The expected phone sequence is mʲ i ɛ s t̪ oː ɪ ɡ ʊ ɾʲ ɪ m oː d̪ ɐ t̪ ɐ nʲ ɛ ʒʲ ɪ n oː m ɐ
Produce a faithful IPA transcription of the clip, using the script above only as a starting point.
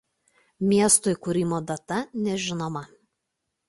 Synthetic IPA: mʲ i ɛ s t̪ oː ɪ k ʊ ɾʲ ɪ m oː d̪ ɐ t̪ ɐ nʲ ɛ ʒʲ ɪ n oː m ɐ